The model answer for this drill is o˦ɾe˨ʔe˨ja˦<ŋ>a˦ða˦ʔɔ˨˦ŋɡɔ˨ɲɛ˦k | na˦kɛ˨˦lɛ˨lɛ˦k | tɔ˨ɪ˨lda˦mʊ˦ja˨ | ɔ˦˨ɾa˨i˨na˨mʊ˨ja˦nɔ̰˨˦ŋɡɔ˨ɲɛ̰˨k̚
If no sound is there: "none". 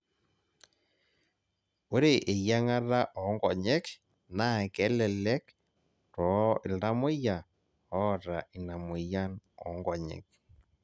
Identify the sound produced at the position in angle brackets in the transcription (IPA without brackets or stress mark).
ŋ